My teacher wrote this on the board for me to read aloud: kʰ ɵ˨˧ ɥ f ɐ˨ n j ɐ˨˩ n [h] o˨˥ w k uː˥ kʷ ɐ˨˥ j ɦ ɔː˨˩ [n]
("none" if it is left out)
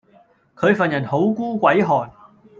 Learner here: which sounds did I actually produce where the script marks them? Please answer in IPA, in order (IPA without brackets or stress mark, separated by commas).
h, n